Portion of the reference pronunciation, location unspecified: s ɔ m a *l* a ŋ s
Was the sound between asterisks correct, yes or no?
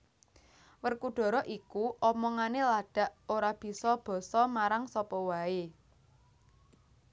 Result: no